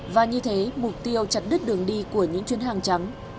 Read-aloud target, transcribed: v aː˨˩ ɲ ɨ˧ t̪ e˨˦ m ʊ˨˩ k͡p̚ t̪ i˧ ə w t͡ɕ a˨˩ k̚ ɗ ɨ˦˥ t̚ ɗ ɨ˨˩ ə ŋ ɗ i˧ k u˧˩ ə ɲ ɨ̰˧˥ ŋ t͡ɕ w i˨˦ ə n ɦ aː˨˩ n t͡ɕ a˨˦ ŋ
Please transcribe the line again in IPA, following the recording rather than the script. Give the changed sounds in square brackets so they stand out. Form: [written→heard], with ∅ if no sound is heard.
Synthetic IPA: v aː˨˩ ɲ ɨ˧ [t̪→t̪ʰ] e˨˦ m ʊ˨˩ k͡p̚ t̪ i˧ ə w t͡ɕ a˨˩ [k̚→t̚] ɗ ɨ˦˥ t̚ ɗ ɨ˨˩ ə ŋ ɗ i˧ k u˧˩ ə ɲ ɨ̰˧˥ ŋ t͡ɕ w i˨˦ ə n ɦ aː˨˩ [n→ŋ] t͡ɕ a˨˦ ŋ

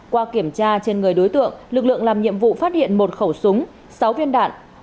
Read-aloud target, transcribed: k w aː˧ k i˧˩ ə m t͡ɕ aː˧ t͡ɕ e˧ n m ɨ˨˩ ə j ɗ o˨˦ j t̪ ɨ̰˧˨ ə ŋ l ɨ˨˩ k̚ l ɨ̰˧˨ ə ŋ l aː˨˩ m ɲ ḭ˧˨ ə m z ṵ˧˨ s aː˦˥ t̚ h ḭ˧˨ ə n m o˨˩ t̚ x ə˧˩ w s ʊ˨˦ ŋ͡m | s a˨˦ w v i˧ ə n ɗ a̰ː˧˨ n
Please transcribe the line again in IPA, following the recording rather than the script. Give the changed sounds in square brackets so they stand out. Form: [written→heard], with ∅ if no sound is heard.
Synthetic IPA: k w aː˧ k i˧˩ ə m t͡ɕ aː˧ t͡ɕ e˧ n [m→ŋ] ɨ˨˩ ə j ɗ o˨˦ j t̪ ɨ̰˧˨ ə ŋ l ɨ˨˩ k̚ l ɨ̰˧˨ ə ŋ l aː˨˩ m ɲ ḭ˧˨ ə m [z→v] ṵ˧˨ [s→f] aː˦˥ t̚ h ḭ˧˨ ə n m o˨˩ t̚ x ə˧˩ w s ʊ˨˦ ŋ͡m | s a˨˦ w v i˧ ə n ɗ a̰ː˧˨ n

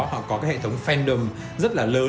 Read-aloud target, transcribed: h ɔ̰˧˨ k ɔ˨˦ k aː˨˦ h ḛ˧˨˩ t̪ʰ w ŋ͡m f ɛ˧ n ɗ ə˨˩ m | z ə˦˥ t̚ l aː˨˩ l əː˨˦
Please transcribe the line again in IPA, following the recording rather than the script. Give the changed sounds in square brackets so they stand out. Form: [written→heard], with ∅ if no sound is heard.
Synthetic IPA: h ɔ̰˧˨ k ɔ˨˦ k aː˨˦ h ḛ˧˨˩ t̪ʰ w ŋ͡m f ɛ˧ n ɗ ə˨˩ m | z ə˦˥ t̚ l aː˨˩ l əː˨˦

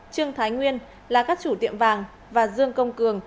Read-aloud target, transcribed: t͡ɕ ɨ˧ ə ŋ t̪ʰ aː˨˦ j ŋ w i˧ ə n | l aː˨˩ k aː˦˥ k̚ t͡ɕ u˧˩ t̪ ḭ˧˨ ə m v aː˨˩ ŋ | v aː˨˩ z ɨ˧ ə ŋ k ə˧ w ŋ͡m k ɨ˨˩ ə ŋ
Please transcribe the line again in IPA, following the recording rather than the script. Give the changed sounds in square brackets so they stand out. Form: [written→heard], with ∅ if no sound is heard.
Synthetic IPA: t͡ɕ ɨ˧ ə ŋ t̪ʰ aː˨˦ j ŋ w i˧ ə n | l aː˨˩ k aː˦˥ k̚ t͡ɕ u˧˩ t̪ ḭ˧˨ ə m v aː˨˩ ŋ | v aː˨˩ z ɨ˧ ə ŋ k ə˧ w ŋ͡m k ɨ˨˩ ə ŋ

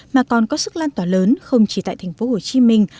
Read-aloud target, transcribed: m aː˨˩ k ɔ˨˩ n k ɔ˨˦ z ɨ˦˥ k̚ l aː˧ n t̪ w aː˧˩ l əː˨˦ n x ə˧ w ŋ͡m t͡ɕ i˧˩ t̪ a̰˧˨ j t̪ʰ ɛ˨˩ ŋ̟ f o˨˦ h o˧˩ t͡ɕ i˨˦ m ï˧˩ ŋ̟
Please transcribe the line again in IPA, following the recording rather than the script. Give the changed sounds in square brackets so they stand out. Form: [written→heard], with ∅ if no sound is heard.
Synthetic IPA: m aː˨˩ k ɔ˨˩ n k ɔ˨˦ [z→s] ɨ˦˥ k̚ l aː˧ n t̪ w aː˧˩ l əː˨˦ n x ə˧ w ŋ͡m t͡ɕ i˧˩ t̪ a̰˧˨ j t̪ʰ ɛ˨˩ ŋ̟ f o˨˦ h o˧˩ t͡ɕ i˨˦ m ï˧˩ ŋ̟

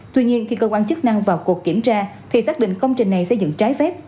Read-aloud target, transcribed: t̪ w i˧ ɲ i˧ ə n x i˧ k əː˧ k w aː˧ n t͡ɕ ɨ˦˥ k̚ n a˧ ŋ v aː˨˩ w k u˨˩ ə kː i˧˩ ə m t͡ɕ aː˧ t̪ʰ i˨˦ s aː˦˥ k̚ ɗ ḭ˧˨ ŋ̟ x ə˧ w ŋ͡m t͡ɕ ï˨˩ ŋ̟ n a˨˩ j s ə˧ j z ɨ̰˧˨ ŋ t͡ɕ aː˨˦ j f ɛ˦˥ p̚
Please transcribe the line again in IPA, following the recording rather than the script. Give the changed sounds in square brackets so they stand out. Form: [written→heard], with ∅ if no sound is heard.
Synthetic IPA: t̪ w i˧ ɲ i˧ ə n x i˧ k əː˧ k w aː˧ n t͡ɕ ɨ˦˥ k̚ n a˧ ŋ v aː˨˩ w k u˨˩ ə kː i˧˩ ə m t͡ɕ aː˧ t̪ʰ [i˨˦→i˨˩] s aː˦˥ k̚ ɗ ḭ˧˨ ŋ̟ [x→k] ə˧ w ŋ͡m t͡ɕ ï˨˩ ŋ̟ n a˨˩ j s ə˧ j z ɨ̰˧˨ ŋ t͡ɕ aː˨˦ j f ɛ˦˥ p̚

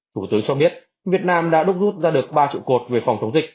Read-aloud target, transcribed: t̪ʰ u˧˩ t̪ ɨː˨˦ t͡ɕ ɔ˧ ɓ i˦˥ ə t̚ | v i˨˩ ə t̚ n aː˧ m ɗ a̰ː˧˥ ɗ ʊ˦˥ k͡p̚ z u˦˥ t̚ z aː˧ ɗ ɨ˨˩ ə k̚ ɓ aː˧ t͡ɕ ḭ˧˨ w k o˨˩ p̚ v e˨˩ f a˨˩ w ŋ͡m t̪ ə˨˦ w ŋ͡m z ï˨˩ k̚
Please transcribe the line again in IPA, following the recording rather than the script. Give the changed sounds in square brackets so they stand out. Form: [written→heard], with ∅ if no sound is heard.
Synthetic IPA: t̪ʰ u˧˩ t̪ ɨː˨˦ t͡ɕ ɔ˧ ɓ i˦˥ ə t̚ | v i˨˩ ə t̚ n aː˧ m ɗ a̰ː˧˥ ɗ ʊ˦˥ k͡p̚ z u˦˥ t̚ z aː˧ ɗ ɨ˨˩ ə k̚ ɓ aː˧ t͡ɕ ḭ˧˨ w k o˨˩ [p̚→t̚] v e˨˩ f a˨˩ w ŋ͡m t̪ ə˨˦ w ŋ͡m z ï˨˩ k̚

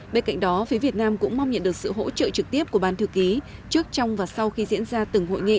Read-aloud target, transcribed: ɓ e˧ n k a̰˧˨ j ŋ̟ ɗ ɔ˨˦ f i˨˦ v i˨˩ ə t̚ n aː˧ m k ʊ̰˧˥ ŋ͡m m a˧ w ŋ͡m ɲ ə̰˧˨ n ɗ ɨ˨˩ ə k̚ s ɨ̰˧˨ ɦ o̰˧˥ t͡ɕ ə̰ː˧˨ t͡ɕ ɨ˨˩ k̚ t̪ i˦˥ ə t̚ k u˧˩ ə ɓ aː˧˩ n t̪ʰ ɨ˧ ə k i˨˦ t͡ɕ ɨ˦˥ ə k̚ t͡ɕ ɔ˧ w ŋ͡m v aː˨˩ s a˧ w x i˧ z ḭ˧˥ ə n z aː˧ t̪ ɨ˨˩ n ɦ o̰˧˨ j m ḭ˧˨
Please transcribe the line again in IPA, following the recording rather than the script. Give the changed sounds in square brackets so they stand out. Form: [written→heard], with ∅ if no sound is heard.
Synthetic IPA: ɓ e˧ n k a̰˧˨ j ŋ̟ ɗ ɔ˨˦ f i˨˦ v i˨˩ ə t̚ n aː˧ m k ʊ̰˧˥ ŋ͡m m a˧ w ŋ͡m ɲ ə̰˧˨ n ɗ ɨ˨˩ ə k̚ s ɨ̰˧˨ ɦ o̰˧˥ t͡ɕ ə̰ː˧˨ t͡ɕ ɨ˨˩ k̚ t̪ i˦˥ ə [t̚→p̚] k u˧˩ ə ɓ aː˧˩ n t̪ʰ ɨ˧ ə k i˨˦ t͡ɕ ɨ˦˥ ə k̚ t͡ɕ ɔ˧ w ŋ͡m v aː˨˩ s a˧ w x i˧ z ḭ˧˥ ə n z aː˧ t̪ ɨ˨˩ [n→ŋ] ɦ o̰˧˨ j [m→ŋ] ḭ˧˨

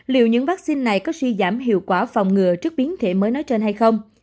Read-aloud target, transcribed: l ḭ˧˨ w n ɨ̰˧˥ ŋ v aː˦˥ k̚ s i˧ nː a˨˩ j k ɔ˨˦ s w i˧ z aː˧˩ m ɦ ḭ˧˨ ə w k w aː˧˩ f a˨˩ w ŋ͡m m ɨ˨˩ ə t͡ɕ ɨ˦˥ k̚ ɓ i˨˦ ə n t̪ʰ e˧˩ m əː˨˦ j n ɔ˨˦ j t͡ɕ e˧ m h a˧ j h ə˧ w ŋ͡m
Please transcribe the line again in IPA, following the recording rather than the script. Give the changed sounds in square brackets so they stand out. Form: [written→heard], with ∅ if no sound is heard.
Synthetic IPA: l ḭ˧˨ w [n→ɲ] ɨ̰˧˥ ŋ v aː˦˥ k̚ s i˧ nː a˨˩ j k ɔ˨˦ s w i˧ z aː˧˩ m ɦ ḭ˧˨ ə w k w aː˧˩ f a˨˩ w ŋ͡m [m→ŋ] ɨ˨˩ ə t͡ɕ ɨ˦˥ k̚ ɓ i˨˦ ə n t̪ʰ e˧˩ m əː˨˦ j n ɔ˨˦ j t͡ɕ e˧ [m→n] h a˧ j [h→x] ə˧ w ŋ͡m

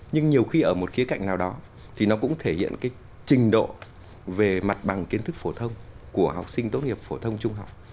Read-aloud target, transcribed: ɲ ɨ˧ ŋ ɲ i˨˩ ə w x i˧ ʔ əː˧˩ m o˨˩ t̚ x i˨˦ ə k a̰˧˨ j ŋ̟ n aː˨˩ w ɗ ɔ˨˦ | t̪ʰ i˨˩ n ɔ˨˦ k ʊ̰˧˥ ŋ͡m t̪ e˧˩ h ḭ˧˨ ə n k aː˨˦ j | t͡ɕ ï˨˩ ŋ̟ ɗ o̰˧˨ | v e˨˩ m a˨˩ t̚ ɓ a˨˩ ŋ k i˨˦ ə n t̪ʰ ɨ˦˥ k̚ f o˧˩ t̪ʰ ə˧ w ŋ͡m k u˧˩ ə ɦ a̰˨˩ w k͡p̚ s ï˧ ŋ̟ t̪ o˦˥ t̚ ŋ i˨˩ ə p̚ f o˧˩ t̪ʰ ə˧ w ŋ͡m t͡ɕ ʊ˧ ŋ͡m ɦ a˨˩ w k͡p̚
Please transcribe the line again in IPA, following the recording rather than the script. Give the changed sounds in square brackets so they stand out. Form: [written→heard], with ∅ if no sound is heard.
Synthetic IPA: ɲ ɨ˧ ŋ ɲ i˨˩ ə w x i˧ ʔ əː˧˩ m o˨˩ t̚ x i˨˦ ə k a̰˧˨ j ŋ̟ n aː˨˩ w ɗ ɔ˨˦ | t̪ʰ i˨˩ n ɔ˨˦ k ʊ̰˧˥ ŋ͡m [t̪→t̪ʰ] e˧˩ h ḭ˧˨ ə n k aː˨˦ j | t͡ɕ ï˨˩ ŋ̟ ɗ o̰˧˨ | v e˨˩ m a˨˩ t̚ ɓ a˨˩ ŋ k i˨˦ ə n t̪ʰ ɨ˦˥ k̚ f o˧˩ t̪ʰ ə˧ w ŋ͡m k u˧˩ ə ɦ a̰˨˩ w k͡p̚ s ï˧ ŋ̟ t̪ o˦˥ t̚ ŋ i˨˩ ə p̚ f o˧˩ t̪ʰ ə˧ w ŋ͡m t͡ɕ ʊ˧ ŋ͡m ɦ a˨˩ w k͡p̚

